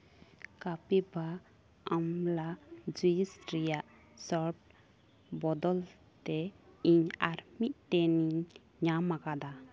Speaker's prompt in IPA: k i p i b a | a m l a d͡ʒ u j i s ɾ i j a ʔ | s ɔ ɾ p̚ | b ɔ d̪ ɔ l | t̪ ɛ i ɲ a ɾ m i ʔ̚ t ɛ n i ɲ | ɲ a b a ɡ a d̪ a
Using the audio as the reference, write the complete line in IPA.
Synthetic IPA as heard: k a p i b a | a m l a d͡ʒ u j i s ɾ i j a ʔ | s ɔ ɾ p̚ | b ɔ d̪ ɔ l | t̪ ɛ i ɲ a ɾ m i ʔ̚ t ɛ n i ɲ | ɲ a m a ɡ a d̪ a